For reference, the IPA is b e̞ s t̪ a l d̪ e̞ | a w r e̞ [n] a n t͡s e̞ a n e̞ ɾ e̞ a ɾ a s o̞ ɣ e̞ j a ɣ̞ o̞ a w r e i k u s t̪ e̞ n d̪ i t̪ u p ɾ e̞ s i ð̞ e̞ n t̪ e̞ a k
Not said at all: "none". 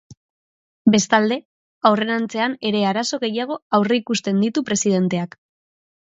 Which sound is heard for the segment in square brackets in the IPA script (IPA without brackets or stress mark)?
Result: n